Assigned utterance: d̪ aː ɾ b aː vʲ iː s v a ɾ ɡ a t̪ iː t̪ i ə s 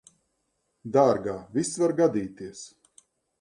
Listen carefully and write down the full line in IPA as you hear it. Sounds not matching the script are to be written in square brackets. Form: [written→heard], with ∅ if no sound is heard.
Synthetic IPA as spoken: d̪ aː ɾ [b→ɡ] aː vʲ [iː→i] s v a ɾ ɡ a [t̪→d̪] iː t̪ i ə s